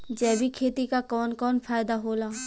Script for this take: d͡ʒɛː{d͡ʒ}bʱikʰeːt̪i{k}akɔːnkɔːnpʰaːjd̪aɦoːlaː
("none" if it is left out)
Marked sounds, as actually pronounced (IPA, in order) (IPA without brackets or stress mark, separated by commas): none, k